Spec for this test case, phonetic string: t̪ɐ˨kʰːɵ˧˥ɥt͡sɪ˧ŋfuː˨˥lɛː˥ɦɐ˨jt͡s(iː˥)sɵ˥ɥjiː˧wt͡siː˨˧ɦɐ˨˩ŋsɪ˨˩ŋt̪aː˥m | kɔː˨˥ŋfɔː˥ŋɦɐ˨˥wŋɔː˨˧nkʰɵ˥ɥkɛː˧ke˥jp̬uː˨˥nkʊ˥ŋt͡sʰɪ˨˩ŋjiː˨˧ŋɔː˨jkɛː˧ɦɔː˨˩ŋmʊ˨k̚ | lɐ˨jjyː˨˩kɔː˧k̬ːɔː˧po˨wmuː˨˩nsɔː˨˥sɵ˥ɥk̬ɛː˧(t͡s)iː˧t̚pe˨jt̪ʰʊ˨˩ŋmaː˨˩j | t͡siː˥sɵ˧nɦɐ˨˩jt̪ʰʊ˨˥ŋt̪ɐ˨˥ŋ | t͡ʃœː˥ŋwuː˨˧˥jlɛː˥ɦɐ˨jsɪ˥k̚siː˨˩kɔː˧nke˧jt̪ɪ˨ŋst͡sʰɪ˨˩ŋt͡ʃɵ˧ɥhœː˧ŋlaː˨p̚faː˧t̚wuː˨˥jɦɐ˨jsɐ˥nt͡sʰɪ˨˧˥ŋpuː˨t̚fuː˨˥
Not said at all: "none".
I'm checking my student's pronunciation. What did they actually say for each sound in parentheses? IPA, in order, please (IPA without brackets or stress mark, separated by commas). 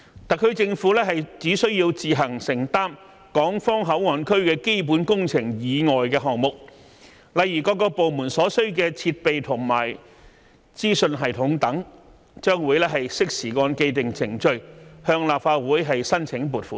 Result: iː˨˥, t͡sʰ